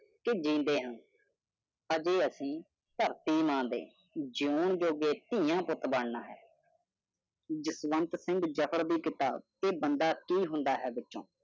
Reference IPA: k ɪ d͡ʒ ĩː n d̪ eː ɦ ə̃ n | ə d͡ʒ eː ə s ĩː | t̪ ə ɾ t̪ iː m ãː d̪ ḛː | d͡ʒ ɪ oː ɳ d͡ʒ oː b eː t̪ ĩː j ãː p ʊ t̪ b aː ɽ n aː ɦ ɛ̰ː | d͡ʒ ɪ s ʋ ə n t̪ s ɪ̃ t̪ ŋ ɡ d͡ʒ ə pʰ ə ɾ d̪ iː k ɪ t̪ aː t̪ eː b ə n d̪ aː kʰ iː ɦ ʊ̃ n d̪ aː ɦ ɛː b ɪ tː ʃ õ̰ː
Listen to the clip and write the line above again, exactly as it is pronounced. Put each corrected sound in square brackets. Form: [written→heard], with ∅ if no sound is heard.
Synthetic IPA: k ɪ d͡ʒ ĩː n d̪ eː ɦ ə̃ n | ə d͡ʒ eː ə s ĩː | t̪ ə ɾ t̪ iː m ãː d̪ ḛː | d͡ʒ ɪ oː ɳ d͡ʒ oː [b→ɡ] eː t̪ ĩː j ãː p ʊ t̪ b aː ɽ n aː ɦ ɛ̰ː | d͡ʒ ɪ s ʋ ə n t̪ s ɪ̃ [t̪→∅] ŋ ɡ d͡ʒ ə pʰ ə ɾ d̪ iː k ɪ t̪ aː t̪ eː b ə n d̪ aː [kʰ→k] iː ɦ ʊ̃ n d̪ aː ɦ ɛː b ɪ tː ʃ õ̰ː